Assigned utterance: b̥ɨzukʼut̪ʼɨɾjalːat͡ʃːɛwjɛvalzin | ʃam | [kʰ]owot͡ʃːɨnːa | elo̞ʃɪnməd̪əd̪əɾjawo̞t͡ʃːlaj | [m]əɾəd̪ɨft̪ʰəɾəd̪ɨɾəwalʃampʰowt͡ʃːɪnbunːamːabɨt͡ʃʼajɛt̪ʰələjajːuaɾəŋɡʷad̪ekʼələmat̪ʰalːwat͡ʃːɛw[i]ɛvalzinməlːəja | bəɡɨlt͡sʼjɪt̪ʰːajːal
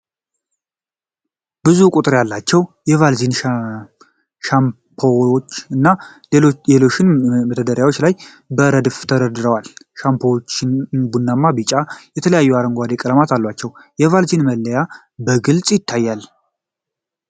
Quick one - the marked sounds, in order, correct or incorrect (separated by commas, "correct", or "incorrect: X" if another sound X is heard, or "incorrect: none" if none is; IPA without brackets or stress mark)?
incorrect: pʰ, incorrect: b, incorrect: j